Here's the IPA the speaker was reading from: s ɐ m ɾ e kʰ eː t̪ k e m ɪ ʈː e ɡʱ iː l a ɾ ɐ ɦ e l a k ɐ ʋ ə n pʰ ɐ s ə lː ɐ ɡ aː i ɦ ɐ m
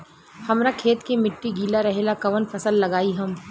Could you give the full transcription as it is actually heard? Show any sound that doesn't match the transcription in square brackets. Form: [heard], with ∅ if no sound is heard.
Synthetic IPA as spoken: [h] ɐ m ɾ [a] kʰ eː t̪ k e m ɪ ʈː [i] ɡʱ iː l a ɾ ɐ ɦ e l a k ɐ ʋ ə n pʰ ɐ s ə lː ɐ ɡ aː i ɦ ɐ m